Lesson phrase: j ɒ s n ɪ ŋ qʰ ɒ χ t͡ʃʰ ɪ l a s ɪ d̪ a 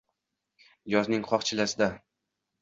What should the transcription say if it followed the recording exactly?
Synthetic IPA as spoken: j ɒ z n ɪ ŋ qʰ ɒ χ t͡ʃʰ ɪ l a s ɪ d̪ a